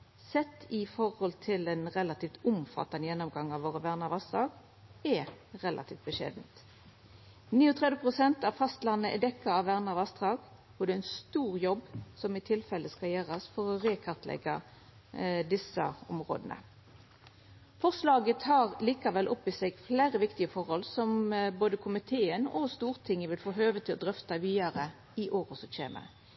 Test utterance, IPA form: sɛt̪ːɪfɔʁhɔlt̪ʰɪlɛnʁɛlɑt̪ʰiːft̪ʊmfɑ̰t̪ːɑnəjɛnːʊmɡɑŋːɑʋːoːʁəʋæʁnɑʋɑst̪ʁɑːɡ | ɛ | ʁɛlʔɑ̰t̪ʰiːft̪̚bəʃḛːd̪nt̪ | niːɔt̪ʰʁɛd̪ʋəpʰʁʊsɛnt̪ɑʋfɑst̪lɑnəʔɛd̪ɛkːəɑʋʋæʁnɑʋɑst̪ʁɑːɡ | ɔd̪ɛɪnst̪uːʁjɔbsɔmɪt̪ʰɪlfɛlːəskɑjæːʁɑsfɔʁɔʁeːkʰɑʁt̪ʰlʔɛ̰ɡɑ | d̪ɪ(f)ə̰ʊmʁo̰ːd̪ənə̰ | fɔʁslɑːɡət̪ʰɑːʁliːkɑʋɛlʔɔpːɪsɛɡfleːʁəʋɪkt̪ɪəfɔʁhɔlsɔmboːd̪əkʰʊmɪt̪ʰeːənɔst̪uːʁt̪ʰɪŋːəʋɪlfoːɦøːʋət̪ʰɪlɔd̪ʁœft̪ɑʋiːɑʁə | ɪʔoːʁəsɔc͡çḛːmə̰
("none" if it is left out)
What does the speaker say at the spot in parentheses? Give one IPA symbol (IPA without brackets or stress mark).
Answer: s